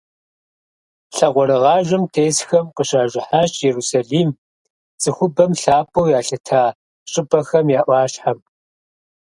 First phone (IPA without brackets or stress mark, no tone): ɬ